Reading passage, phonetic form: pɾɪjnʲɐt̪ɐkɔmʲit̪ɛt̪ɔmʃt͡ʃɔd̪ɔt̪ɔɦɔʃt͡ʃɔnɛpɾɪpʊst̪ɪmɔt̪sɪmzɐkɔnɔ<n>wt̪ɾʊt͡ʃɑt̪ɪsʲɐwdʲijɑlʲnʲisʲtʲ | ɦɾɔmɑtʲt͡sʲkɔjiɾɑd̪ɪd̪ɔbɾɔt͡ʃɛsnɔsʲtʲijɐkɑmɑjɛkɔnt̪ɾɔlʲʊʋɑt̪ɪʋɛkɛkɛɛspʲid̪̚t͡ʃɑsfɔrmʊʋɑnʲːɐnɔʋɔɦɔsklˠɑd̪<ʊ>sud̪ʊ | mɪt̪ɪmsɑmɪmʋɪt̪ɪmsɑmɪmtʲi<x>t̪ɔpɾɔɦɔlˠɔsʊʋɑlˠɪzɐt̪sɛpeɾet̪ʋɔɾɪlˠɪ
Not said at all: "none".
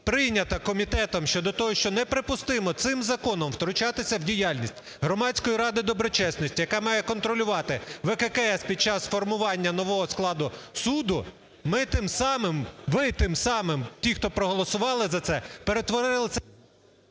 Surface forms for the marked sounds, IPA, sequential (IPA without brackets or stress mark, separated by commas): m, ʊ, x